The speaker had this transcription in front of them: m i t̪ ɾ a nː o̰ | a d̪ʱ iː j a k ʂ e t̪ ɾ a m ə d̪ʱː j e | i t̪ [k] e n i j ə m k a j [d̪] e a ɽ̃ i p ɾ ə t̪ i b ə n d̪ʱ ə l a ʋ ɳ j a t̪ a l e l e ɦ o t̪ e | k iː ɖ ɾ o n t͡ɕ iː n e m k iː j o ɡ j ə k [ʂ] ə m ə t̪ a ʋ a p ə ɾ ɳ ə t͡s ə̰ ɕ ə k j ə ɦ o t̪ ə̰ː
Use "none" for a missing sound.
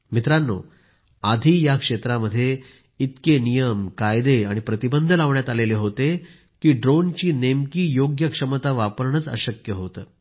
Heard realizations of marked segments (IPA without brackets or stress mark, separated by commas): k, d̪, ʂ